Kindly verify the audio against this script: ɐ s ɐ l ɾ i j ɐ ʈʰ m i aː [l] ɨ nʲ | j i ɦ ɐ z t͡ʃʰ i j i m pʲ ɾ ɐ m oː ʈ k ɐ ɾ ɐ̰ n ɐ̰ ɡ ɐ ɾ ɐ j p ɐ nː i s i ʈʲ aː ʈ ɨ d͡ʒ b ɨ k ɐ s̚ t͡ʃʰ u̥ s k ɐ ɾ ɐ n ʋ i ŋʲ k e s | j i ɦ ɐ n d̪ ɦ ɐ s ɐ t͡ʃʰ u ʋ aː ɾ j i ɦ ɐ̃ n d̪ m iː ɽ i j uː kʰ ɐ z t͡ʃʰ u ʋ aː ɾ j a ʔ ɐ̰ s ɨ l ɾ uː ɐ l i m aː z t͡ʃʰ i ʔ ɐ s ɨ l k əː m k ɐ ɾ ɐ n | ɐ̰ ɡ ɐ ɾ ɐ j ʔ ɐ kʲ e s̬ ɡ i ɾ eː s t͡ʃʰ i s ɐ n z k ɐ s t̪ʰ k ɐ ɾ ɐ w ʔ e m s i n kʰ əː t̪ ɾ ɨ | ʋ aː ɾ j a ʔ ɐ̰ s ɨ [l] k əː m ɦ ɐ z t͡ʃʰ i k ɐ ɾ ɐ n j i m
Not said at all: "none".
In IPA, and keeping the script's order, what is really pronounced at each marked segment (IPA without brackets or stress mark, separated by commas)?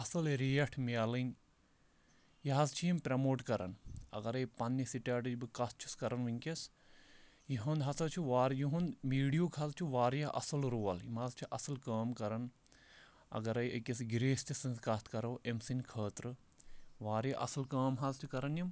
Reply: l, l